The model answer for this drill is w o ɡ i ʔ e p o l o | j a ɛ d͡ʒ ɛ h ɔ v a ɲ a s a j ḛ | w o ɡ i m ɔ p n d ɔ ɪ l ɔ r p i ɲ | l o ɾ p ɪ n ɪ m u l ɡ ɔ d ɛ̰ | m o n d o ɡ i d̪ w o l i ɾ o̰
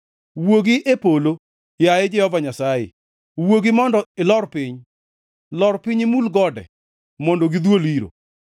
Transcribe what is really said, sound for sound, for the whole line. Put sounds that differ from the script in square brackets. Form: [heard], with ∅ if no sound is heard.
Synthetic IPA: w o ɡ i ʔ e p o l o | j a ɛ d͡ʒ ɛ h ɔ v a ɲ a s a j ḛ | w o ɡ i m ɔ [∅] n d ɔ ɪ l ɔ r p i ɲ | l [ɔ] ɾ p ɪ [ɲ] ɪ m u l ɡ ɔ d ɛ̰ | m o n d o ɡ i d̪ w o l i ɾ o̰